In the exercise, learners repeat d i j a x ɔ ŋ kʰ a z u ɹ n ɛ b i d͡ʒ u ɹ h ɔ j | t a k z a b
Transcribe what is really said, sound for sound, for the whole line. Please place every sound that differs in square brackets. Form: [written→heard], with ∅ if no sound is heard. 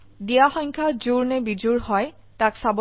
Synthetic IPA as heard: d i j a x ɔ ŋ kʰ a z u ɹ n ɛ b i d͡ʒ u ɹ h ɔ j | t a k [z→s] a b

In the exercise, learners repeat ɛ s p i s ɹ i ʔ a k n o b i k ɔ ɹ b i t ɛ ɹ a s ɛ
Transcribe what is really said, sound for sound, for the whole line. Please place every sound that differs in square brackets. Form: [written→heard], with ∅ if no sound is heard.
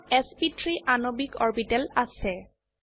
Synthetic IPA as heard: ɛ s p i [s→t] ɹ i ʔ a [k→∅] n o b i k ɔ ɹ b i t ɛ [ɹ→l] a s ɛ

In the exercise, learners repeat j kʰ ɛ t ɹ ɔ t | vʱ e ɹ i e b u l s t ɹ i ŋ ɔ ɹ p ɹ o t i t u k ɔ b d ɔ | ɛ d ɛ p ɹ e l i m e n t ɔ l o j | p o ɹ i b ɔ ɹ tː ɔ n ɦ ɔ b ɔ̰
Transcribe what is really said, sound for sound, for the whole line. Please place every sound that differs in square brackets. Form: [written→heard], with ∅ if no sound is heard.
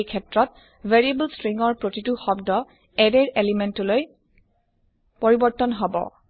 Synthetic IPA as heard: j kʰ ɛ t ɹ ɔ t | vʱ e ɹ i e b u l s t ɹ i ŋ ɔ ɹ p ɹ o t i t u [k→x] ɔ b d ɔ | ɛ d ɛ [p→∅] ɹ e l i m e n t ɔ l o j | p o ɹ i b ɔ ɹ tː ɔ n ɦ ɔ b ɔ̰

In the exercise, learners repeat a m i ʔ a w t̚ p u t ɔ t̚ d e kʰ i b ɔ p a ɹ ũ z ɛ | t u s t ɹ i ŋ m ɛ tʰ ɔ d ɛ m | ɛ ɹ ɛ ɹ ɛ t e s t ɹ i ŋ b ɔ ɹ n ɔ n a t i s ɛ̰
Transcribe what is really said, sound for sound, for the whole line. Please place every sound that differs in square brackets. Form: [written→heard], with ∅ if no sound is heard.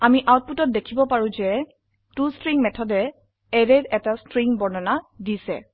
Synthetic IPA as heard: a m i ʔ a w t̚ p u t ɔ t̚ d e kʰ i b ɔ p a ɹ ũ z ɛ | t u s t ɹ i ŋ m ɛ tʰ ɔ d ɛ [m→∅] | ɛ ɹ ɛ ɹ ɛ t [e→a] s t ɹ i ŋ b ɔ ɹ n ɔ n a [t→d] i s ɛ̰

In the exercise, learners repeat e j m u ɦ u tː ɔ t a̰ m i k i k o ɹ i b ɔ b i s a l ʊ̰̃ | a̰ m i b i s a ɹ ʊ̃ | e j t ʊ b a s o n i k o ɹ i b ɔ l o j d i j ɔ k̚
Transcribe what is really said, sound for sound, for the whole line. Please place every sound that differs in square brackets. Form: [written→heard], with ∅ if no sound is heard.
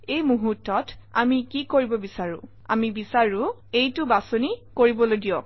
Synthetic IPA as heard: e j m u ɦ u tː ɔ t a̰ m i k i k o ɹ i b ɔ b i s a [l→ɹ] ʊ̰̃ | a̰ m i b i s a ɹ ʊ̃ | e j t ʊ b a s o n i k o ɹ i b ɔ l o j d i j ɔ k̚

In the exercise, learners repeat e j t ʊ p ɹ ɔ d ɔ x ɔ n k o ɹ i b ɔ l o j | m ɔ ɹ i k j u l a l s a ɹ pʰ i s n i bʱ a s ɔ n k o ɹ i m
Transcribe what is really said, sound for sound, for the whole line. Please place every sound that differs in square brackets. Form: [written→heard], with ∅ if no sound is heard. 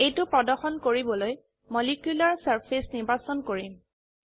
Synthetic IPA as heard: e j t ʊ p ɹ ɔ d ɔ x ɔ n k o ɹ i b ɔ l o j | m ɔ [ɹ→l] i k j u l a [l→ɹ] s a ɹ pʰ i s n i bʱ a s ɔ n k o ɹ i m

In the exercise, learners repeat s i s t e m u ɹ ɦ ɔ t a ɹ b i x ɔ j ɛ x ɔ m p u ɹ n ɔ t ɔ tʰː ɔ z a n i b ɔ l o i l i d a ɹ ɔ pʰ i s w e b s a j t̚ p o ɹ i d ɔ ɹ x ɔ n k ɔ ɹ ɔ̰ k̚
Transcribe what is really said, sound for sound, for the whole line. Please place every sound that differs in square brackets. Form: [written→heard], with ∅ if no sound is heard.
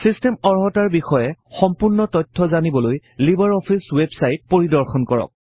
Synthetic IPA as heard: s i s t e m [u→ɔ] ɹ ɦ ɔ t a ɹ b i x ɔ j ɛ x ɔ m p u ɹ n ɔ t ɔ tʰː ɔ z a n i b ɔ l o [i→j] l i [d→b] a ɹ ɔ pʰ i s w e b s a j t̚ p o ɹ i d ɔ ɹ x ɔ n k ɔ ɹ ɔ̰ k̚

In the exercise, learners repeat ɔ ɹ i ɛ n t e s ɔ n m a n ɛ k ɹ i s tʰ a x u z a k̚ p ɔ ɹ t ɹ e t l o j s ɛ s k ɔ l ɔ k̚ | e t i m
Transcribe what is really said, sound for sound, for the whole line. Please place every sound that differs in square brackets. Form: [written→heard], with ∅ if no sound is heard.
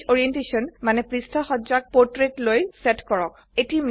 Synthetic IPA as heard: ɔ ɹ i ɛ n t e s ɔ n m a n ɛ [k→p] ɹ i s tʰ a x [u→ɔ] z a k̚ p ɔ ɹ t ɹ e t l o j s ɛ [s→t] k ɔ [l→ɹ] ɔ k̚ | e t i m

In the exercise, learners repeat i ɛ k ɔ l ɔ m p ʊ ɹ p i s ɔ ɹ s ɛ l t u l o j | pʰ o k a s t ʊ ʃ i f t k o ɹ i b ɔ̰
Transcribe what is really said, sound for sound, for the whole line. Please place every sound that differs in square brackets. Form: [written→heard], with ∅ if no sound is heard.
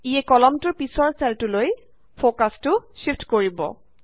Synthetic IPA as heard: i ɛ k ɔ l ɔ m [p→t] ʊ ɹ p i s ɔ ɹ s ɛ l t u l o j | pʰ o k a s t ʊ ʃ i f t k o ɹ i b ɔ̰

